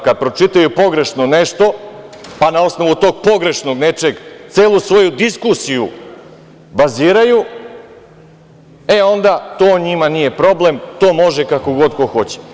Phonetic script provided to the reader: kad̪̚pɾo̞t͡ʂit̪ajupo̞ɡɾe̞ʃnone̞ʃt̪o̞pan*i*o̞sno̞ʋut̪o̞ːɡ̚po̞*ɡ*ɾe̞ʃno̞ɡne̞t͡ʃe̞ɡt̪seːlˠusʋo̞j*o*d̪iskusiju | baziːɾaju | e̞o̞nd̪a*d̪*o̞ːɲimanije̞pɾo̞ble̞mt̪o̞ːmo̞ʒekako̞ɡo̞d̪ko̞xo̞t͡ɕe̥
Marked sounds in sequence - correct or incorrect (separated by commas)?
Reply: incorrect, correct, incorrect, incorrect